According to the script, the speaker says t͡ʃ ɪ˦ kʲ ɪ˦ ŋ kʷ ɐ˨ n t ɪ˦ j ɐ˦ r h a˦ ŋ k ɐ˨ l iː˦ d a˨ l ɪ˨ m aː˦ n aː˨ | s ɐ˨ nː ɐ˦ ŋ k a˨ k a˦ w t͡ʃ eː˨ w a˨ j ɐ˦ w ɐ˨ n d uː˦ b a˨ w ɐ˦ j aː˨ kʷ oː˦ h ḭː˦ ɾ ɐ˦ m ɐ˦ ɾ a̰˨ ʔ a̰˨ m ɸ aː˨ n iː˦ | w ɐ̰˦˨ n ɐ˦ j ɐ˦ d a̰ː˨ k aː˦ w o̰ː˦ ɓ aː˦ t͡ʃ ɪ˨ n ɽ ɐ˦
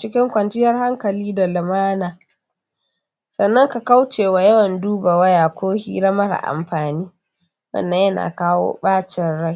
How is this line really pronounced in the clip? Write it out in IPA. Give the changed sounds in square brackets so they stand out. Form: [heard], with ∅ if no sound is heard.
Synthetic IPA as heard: t͡ʃ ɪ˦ kʲ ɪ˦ ŋ kʷ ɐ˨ n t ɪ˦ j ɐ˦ r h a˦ ŋ k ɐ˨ l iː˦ d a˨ l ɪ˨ m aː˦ n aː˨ | s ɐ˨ nː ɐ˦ ŋ k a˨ k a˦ w t͡ʃ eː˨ w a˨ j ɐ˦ w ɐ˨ n d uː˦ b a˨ w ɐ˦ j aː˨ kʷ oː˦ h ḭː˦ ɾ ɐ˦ m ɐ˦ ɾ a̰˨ ʔ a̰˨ m ɸ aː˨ n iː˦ | w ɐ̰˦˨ [nː] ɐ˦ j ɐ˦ [n] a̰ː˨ k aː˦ w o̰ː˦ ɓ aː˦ t͡ʃ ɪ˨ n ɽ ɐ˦